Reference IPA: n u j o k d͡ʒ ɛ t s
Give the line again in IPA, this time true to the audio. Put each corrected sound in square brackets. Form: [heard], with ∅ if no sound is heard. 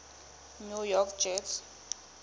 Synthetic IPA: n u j [ɔ] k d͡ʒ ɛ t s